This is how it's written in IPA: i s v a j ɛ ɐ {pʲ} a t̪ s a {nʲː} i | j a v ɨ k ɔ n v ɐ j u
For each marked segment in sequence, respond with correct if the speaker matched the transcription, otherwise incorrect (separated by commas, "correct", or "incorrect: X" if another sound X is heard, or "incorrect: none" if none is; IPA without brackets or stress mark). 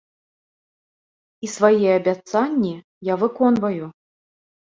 incorrect: bʲ, correct